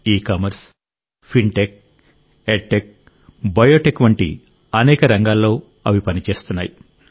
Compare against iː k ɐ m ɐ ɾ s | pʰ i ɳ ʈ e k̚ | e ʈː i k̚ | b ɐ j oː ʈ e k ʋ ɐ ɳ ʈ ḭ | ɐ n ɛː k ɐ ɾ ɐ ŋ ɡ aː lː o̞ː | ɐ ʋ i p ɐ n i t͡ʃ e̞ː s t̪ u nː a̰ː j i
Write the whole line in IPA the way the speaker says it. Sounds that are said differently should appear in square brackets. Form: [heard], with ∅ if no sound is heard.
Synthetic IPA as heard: iː k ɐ m ɐ ɾ s | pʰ i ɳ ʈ e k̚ | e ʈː [e] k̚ | b ɐ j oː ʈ e k ʋ ɐ ɳ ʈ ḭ | ɐ n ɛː k ɐ ɾ ɐ ŋ ɡ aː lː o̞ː | ɐ ʋ i p ɐ n i t͡ʃ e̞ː s t̪ u nː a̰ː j i